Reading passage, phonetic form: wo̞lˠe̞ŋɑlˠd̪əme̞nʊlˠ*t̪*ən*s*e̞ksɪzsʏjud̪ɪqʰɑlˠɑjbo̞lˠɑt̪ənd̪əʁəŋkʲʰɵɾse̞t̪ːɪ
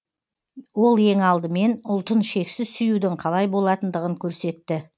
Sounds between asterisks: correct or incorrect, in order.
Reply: correct, incorrect: ʃ

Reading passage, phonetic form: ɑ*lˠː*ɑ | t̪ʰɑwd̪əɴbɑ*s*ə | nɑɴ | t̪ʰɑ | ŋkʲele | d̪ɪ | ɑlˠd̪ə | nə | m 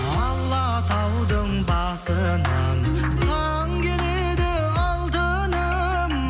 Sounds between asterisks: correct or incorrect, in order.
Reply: correct, correct

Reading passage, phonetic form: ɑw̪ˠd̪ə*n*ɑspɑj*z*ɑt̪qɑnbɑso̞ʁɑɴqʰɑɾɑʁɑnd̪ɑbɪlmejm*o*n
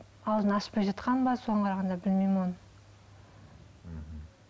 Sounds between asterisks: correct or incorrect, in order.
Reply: correct, incorrect: ʒ, correct

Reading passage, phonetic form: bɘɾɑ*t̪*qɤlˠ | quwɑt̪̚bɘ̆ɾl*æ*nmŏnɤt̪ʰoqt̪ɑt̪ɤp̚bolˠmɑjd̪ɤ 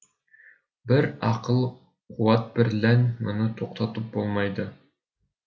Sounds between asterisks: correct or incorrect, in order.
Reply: incorrect: none, correct

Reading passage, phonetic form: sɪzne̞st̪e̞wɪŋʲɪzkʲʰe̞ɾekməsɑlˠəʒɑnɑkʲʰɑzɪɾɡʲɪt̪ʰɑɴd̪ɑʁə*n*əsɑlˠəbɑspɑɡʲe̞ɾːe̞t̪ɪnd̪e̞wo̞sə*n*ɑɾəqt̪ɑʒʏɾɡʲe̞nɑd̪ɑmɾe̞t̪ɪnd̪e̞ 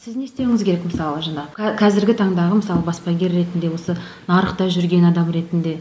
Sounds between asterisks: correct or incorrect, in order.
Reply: incorrect: m, correct

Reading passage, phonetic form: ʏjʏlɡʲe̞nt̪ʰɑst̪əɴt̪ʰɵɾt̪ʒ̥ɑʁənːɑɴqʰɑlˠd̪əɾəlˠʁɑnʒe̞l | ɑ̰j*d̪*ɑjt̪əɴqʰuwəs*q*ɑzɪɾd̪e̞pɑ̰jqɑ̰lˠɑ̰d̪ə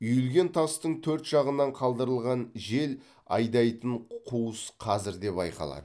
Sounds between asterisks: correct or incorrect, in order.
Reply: correct, incorrect: qʰ

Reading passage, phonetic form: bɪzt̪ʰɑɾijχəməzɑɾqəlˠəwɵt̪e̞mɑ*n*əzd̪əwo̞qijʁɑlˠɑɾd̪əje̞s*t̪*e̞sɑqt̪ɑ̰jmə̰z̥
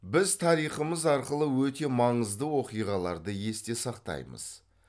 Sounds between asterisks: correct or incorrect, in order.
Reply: incorrect: ɴ, correct

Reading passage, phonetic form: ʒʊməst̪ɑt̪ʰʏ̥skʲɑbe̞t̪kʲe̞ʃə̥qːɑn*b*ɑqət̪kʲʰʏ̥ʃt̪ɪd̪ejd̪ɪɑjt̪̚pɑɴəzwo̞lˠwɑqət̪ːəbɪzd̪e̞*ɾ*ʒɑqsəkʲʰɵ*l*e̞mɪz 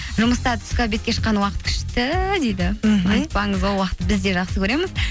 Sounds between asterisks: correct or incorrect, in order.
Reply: incorrect: w, incorrect: none, incorrect: ɾ

